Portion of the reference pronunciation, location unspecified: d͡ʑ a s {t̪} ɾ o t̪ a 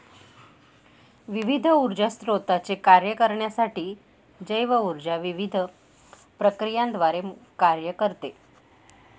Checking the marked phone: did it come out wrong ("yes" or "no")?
no